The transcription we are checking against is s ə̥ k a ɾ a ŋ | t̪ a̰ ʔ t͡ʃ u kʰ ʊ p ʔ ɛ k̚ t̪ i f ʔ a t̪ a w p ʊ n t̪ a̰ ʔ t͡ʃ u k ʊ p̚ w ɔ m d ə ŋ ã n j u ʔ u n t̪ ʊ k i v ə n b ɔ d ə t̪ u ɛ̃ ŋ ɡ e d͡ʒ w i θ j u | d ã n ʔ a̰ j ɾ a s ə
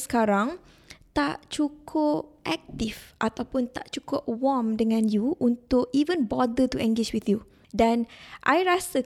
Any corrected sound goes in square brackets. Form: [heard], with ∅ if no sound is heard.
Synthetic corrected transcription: s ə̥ k a ɾ a ŋ | t̪ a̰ ʔ t͡ʃ u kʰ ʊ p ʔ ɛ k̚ t̪ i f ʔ a t̪ a w p ʊ n t̪ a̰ ʔ t͡ʃ u k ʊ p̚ w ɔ m d ə ŋ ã n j u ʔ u n t̪ ʊ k i v ə n b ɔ d ə t̪ u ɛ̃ ŋ ɡ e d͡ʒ w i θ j u | d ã n ʔ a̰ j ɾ a s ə